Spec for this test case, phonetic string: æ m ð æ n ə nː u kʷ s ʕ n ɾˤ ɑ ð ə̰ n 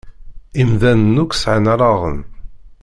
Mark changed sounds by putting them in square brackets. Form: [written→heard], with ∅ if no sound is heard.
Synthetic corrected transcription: [æ→i] m ð æ n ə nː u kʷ s ʕ n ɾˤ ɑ [ð→ʁ] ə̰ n